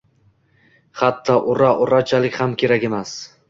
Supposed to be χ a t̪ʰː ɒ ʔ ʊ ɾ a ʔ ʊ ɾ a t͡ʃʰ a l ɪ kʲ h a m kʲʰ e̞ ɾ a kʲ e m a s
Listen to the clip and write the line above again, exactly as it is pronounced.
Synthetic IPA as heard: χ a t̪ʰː ɒ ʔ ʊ ɾ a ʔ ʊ ɾ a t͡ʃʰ a l ɪ kʲ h a m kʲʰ e̞ ɾ a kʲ e m a s